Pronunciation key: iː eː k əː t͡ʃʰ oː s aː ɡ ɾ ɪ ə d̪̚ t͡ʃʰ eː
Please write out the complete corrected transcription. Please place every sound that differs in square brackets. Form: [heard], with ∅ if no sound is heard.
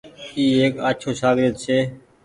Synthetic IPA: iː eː k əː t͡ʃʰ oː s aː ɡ ɾ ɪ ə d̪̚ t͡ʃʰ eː